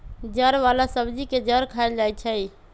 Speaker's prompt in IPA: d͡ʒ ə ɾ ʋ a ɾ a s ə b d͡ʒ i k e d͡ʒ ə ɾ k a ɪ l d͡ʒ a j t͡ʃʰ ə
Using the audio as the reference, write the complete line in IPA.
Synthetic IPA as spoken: d͡ʒ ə ɾ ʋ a l a s ə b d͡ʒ i k e d͡ʒ ə ɾ kʰ a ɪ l d͡ʒ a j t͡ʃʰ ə